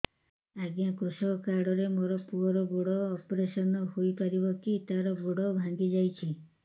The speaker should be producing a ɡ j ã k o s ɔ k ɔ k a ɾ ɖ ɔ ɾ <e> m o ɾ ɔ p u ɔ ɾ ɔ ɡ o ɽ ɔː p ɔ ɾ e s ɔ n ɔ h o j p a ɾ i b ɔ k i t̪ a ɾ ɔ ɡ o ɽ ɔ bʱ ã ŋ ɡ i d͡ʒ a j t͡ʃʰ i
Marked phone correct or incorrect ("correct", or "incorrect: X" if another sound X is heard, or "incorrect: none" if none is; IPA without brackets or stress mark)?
correct